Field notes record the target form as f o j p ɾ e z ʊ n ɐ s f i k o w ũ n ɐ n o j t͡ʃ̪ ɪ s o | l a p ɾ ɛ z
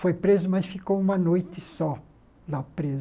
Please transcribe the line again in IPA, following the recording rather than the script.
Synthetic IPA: f o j p ɾ e z ʊ m ɐ s f i k o w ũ m ɐ n o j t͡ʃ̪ ɪ s ɔ | l a p ɾ e z